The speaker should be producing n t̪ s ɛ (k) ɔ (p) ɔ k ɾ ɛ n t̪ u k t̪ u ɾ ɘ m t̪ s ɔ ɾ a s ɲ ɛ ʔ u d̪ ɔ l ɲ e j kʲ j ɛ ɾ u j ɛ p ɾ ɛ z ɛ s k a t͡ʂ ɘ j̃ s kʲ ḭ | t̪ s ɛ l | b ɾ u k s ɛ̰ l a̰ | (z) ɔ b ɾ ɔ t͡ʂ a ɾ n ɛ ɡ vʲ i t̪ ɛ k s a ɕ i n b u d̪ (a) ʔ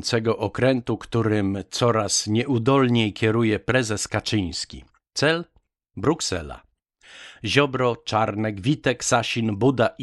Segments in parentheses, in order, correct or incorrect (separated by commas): incorrect, incorrect, incorrect, correct